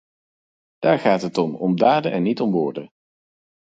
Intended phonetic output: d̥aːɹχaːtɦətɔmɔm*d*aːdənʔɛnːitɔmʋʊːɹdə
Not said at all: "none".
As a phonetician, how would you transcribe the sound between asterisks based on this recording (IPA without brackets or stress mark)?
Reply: d